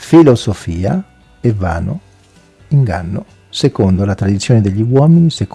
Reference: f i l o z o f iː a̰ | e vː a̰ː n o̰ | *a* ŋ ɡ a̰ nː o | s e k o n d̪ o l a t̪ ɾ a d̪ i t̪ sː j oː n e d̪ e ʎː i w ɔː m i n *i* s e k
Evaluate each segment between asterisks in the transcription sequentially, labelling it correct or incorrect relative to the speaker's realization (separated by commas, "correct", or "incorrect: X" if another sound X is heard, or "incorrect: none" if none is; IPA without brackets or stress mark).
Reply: incorrect: i, correct